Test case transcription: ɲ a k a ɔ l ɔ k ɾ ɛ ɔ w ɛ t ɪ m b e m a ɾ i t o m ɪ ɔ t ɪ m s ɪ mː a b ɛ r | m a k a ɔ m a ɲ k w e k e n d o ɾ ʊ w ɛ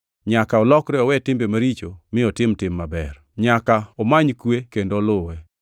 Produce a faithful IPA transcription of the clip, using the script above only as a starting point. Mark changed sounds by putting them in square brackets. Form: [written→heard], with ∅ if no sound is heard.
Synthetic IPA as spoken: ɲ a k a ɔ l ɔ k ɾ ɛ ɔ w ɛ t ɪ m b e m a ɾ i [t→t͡ʃ] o m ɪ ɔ t ɪ m [s→t] ɪ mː a b ɛ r | [m→ɲ] a k a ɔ m a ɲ k w e k e n d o [ɾ→l] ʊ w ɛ